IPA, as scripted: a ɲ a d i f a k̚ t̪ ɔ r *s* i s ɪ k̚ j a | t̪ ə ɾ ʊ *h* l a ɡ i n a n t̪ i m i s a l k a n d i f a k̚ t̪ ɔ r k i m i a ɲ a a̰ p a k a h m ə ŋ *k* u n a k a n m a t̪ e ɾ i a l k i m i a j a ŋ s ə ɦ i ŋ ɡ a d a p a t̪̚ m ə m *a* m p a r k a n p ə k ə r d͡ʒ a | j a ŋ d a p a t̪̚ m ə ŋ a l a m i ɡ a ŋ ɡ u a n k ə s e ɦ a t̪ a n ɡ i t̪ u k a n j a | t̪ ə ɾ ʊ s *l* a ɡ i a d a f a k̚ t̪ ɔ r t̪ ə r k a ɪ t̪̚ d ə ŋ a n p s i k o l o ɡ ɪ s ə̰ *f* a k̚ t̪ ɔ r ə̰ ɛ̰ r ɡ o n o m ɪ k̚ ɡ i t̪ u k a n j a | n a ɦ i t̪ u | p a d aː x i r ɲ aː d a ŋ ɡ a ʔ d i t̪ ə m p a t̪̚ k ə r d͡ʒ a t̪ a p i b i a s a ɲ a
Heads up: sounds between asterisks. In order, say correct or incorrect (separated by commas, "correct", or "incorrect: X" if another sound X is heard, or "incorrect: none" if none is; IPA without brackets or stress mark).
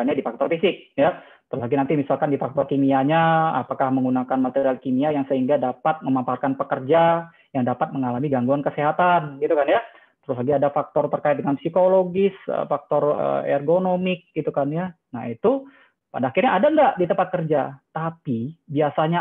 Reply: incorrect: f, incorrect: s, incorrect: ɡ, correct, correct, correct